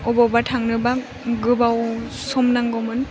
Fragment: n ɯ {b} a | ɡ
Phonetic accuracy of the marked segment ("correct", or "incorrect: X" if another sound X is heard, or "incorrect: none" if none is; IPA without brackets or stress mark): correct